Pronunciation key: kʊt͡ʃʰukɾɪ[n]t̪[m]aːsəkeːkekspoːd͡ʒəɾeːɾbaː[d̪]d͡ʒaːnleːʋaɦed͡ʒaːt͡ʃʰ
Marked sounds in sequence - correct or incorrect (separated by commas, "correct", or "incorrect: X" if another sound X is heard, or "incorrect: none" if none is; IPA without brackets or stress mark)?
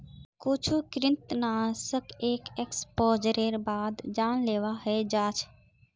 correct, incorrect: n, correct